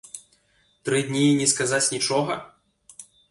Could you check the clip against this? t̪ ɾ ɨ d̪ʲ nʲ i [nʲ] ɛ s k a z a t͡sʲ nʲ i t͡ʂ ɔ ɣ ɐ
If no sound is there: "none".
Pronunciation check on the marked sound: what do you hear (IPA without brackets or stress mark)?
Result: nʲ